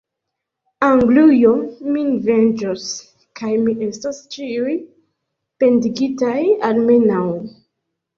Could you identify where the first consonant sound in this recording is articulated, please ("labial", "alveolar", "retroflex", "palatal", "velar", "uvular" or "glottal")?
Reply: velar